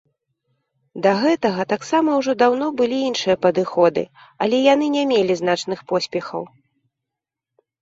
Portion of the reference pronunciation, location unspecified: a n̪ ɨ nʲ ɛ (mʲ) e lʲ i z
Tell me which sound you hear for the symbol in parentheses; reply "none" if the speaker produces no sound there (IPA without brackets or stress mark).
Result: mʲ